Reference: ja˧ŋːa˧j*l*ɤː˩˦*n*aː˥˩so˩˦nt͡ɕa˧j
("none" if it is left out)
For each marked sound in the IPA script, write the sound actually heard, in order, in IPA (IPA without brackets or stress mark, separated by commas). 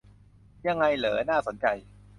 l, n